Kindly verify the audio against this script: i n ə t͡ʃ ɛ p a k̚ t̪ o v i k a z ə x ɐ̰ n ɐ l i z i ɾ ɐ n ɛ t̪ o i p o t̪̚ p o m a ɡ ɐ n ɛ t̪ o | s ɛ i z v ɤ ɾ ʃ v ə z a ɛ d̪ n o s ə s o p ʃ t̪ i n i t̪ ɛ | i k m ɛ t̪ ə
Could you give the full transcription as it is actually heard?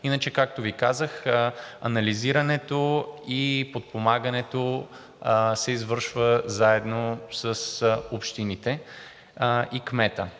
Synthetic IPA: i n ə t͡ʃ ɛ k a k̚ t̪ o v i k a z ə x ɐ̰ n ɐ l i z i ɾ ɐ n ɛ t̪ o i p o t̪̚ p o m a ɡ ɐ n ɛ t̪ o | s ɛ i z v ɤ ɾ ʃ v ə z a ɛ d̪ n o s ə s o p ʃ t̪ i n i t̪ ɛ | i k m ɛ t̪ ə